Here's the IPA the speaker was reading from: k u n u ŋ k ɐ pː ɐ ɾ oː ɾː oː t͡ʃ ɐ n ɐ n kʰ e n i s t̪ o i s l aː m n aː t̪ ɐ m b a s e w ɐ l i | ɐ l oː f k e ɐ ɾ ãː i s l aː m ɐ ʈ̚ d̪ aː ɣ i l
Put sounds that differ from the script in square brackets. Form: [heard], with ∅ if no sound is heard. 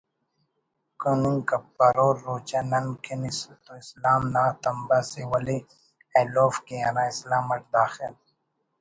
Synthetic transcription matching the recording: k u n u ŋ k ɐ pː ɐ ɾ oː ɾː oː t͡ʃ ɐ n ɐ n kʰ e n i s t̪ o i s l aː m n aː t̪ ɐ m b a s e w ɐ l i | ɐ l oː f k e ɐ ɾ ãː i s l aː m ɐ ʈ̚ d̪ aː [x] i l